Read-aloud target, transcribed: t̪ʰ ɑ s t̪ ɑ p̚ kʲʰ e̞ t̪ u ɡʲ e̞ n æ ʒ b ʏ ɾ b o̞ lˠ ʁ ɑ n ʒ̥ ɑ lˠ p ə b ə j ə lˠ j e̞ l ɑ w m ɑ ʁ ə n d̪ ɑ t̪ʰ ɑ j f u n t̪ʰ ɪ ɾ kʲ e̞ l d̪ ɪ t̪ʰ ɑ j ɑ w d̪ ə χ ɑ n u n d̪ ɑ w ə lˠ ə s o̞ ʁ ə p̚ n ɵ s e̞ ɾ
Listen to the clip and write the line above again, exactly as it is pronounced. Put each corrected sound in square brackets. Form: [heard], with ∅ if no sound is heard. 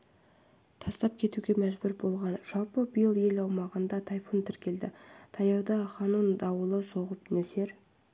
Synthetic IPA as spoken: t̪ʰ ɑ s t̪ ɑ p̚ kʲʰ e̞ t̪ u ɡʲ e̞ [m] æ ʒ b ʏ ɾ b o̞ lˠ ʁ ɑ n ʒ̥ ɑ lˠ p ə b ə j ə lˠ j e̞ l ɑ w m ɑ ʁ ə n d̪ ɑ t̪ʰ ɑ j f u n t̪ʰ ɪ ɾ kʲ e̞ l d̪ ɪ t̪ʰ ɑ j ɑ w d̪ [ɑ] χ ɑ n u n d̪ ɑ w ə lˠ ə s o̞ ʁ ə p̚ n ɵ s e̞ ɾ